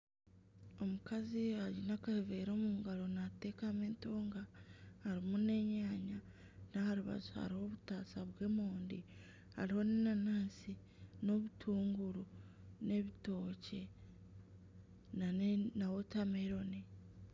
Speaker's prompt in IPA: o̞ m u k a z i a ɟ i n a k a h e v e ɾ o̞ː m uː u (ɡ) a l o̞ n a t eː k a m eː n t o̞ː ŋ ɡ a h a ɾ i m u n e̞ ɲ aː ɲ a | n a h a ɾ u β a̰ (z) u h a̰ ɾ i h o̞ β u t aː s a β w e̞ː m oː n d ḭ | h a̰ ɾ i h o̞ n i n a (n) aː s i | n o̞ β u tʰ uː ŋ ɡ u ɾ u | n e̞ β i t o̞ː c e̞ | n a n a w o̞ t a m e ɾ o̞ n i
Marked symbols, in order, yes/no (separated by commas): yes, yes, yes